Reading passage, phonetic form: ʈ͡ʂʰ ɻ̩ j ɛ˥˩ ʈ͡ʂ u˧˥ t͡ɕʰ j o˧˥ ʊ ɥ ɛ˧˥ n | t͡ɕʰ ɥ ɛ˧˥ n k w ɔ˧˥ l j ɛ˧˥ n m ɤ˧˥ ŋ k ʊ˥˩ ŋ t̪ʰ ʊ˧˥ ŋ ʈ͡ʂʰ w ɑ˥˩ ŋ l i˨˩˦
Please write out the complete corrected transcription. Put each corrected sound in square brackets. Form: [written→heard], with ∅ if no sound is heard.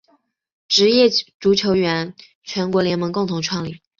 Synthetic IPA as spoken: [ʈ͡ʂʰ→ʈ͡ʂ] ɻ̩ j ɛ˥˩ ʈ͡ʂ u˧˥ t͡ɕʰ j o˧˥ ʊ ɥ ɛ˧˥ n | t͡ɕʰ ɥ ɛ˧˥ n k w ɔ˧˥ l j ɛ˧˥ n m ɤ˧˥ ŋ k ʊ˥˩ ŋ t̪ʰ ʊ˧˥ ŋ ʈ͡ʂʰ w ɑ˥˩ ŋ l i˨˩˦